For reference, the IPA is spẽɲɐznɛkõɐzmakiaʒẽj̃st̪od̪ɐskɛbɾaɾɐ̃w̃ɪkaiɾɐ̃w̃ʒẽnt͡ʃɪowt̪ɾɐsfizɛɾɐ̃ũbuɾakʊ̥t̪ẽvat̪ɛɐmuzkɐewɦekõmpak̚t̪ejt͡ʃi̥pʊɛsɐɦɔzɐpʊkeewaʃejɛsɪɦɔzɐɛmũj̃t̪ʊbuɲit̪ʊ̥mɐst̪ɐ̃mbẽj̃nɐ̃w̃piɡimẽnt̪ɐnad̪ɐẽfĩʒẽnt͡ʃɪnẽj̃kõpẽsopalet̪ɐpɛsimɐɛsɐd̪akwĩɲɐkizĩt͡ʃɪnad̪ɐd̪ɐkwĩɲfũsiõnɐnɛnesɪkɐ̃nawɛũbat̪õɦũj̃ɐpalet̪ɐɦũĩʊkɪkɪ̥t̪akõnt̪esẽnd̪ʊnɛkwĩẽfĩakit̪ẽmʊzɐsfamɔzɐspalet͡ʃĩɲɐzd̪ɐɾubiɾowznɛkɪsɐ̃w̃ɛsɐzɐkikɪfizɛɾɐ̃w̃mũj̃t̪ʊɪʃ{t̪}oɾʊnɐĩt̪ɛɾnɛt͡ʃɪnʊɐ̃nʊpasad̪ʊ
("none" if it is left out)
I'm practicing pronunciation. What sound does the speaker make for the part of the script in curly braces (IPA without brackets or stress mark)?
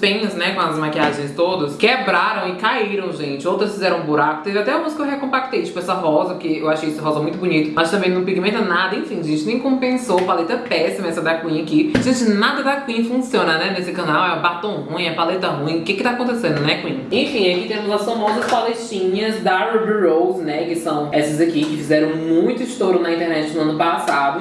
t̪